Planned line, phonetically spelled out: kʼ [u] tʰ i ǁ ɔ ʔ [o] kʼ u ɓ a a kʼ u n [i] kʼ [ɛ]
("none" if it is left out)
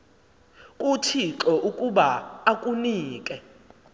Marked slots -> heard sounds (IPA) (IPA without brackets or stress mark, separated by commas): u, u, iː, ɛ